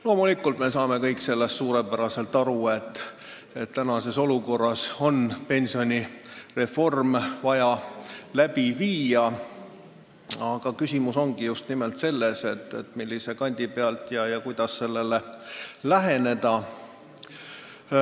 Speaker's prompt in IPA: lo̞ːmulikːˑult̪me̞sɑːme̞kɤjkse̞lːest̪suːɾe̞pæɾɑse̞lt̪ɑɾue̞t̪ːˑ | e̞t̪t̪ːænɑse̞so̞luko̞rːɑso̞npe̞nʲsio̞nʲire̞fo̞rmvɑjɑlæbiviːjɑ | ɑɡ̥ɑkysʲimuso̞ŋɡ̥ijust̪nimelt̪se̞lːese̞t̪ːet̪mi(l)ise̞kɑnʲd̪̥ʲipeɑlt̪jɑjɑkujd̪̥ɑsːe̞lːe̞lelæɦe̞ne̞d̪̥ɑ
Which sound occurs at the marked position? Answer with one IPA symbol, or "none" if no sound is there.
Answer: lː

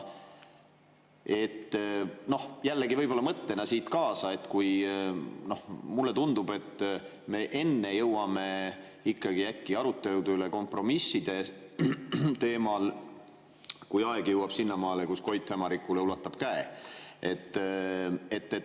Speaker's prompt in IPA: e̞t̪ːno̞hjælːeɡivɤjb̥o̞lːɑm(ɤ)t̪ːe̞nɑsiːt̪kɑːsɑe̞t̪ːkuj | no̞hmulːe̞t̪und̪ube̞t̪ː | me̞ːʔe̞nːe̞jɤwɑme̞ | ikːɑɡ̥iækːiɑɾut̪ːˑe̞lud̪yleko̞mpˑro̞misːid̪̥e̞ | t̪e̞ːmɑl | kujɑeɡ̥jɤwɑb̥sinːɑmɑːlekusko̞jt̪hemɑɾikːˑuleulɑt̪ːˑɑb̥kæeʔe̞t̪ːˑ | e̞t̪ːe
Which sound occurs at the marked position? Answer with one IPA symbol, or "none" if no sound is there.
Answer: ɤ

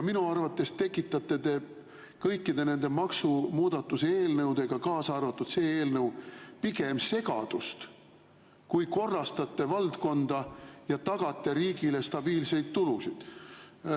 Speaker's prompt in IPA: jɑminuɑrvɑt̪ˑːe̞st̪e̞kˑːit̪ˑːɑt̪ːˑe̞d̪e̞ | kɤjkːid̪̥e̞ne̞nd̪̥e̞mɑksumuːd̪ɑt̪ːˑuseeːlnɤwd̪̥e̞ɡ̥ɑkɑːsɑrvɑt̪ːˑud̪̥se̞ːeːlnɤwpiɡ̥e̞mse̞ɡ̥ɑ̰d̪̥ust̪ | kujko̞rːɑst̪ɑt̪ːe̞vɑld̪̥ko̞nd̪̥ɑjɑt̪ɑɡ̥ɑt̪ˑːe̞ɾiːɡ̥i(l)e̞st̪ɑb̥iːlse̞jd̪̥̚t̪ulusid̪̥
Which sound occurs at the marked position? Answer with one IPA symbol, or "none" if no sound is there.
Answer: l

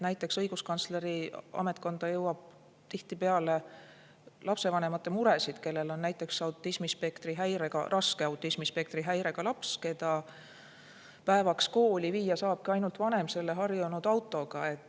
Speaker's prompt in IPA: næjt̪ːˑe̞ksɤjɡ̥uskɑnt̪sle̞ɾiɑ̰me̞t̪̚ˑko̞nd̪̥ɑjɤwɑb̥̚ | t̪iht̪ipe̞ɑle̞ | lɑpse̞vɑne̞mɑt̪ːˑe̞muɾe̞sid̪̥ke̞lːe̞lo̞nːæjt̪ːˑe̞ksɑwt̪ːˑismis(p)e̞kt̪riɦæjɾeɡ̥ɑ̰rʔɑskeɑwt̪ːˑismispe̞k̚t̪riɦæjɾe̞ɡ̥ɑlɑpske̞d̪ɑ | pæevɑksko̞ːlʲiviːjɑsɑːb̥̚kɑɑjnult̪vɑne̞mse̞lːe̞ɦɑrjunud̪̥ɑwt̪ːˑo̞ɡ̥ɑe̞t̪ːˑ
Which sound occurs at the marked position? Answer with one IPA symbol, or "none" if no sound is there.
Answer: p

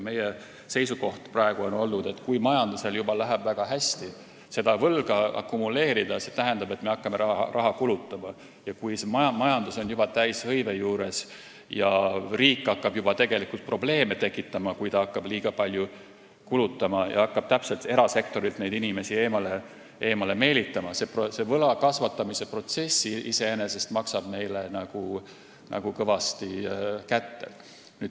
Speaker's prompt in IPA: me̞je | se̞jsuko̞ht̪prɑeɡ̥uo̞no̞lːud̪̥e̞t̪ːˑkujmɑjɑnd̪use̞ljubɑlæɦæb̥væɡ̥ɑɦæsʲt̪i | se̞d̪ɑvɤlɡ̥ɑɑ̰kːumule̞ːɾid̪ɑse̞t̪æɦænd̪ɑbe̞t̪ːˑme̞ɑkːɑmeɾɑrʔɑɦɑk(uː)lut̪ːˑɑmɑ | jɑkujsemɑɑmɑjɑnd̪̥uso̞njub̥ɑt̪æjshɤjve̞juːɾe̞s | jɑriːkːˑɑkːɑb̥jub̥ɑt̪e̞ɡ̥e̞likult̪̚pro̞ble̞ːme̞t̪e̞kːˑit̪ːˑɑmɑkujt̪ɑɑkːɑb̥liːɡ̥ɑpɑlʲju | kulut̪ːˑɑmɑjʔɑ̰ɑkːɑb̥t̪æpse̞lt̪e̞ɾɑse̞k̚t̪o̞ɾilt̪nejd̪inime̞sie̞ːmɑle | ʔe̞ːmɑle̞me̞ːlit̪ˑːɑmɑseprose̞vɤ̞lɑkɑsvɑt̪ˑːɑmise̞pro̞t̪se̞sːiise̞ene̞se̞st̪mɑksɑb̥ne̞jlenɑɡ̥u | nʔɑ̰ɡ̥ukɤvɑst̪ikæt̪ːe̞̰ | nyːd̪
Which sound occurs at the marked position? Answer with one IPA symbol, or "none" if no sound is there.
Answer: u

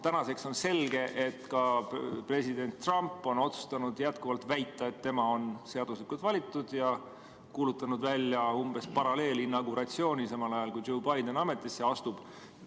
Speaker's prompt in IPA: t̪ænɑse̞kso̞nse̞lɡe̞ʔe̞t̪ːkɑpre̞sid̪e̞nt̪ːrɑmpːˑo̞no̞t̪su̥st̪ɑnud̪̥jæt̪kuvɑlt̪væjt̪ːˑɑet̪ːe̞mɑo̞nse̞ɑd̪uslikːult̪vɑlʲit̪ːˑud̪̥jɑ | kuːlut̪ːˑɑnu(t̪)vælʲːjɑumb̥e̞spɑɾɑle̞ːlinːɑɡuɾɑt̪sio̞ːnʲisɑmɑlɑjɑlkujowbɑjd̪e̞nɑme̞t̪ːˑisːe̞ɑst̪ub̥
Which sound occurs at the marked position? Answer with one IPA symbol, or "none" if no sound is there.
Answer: d̪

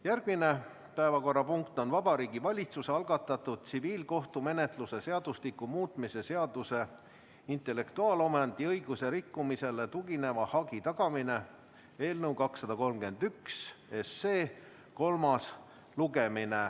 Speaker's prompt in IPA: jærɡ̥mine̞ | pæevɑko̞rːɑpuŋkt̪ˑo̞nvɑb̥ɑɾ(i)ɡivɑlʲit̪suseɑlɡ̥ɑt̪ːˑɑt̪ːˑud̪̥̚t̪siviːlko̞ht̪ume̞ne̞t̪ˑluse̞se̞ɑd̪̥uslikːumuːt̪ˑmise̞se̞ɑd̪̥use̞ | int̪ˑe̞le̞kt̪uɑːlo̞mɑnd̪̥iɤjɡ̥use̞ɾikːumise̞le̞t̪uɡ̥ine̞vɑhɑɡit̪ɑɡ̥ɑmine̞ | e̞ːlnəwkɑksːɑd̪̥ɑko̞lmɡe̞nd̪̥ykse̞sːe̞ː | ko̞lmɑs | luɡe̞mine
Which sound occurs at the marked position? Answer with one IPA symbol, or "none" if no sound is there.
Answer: iː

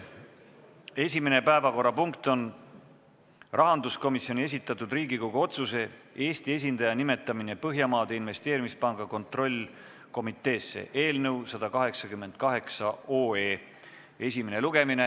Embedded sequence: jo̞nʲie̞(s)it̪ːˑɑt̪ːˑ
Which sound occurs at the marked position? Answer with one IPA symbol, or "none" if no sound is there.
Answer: s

